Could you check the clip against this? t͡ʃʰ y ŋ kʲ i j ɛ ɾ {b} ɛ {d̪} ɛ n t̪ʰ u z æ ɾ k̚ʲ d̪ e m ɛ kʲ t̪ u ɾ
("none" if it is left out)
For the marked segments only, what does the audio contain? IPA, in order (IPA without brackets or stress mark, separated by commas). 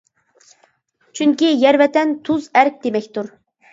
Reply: v, t̪